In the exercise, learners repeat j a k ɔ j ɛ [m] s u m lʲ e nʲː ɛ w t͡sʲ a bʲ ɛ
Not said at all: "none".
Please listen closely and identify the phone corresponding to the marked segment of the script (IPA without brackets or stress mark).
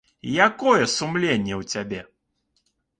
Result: none